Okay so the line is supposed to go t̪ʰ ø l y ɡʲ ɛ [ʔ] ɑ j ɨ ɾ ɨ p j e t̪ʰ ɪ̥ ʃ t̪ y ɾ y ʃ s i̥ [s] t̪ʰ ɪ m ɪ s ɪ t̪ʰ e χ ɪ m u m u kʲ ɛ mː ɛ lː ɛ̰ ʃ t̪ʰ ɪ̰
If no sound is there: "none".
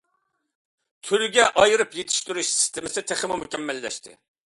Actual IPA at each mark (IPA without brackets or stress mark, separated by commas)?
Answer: ʔ, s